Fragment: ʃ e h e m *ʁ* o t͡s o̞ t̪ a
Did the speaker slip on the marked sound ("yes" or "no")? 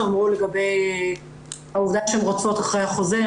no